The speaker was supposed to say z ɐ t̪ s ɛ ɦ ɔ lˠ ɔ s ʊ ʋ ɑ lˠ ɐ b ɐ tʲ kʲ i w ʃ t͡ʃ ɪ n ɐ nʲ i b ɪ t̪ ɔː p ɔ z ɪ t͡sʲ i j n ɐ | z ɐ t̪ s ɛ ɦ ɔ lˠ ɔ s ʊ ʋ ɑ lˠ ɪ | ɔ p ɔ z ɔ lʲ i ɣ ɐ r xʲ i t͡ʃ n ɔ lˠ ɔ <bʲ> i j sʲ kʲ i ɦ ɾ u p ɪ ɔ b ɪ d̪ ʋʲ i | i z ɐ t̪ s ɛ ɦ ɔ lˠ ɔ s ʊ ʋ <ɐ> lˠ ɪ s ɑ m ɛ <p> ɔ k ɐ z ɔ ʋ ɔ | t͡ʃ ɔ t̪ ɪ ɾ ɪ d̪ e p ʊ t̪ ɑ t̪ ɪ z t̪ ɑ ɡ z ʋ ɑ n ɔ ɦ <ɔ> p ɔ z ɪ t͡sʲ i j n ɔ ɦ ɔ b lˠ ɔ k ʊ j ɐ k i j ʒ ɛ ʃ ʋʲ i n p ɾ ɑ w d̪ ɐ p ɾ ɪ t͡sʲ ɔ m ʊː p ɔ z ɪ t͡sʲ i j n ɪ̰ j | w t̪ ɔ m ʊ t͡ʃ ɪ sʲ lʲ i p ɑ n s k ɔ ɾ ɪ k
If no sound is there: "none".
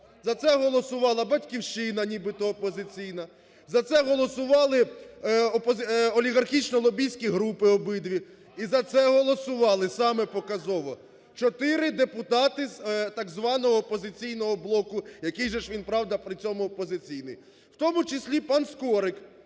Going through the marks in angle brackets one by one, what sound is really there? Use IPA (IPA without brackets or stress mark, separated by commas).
bʲ, ɑ, p, ɔː